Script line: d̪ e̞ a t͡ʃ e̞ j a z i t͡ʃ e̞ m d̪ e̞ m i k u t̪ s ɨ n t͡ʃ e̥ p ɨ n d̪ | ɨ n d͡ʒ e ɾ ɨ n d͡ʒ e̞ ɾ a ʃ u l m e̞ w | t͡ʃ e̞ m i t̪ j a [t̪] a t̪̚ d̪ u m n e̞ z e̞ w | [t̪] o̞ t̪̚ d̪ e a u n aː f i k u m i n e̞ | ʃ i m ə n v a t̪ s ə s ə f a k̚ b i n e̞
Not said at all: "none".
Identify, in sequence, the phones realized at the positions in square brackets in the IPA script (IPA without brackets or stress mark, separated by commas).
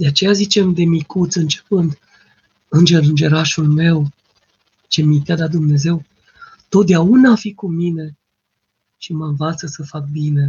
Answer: d̪, t̪